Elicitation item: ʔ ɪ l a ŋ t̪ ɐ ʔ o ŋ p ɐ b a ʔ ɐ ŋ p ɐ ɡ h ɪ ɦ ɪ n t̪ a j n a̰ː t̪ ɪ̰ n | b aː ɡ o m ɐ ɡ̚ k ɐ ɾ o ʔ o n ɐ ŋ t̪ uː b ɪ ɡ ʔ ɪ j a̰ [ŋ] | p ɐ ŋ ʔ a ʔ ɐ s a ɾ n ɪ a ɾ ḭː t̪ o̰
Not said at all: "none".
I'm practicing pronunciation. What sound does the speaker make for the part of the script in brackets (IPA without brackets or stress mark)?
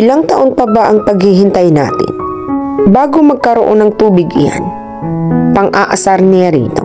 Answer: n